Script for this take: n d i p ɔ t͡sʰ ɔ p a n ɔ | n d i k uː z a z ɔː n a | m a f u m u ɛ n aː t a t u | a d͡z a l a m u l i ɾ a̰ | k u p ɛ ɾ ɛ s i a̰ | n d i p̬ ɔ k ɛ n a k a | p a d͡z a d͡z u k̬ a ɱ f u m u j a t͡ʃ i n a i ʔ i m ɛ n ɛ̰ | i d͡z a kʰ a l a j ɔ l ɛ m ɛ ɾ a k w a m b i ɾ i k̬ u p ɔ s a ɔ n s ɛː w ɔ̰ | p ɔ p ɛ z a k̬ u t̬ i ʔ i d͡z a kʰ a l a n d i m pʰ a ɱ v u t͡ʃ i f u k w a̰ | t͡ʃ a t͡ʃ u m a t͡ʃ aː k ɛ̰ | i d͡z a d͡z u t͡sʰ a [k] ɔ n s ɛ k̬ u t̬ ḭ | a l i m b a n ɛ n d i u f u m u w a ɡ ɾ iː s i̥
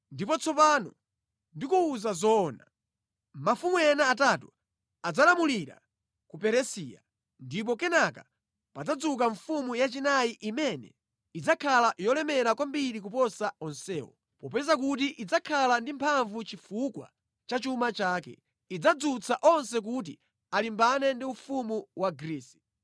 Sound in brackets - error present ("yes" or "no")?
yes